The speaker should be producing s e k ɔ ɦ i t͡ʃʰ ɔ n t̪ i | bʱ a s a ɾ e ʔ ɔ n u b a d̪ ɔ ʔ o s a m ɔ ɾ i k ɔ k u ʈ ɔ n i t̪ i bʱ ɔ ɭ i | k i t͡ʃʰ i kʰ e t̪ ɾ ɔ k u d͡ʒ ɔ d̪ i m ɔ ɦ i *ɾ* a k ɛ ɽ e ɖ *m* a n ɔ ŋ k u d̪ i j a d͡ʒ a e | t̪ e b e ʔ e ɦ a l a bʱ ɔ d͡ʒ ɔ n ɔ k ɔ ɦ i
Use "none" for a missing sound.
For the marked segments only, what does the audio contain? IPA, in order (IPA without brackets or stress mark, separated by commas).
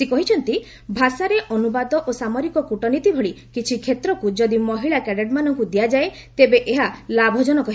ɭ, m